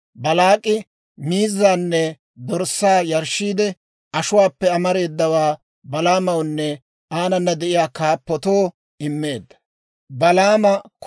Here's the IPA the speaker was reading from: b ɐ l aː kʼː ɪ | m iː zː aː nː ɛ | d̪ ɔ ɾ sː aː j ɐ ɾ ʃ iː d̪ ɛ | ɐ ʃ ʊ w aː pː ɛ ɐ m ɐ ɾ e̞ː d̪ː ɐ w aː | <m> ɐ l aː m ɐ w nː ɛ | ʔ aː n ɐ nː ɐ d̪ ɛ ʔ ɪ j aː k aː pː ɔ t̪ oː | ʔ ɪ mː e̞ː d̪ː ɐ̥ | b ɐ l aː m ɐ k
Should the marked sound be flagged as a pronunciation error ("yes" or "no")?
yes